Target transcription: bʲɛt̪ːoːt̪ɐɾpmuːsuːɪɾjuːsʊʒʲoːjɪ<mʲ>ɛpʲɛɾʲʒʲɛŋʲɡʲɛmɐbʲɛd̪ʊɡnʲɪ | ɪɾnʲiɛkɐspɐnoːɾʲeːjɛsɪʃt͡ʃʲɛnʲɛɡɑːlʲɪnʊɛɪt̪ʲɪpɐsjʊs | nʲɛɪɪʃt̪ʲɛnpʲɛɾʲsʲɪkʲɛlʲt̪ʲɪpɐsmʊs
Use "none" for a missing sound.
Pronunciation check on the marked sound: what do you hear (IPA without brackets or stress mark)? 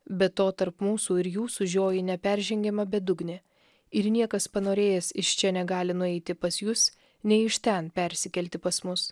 nʲ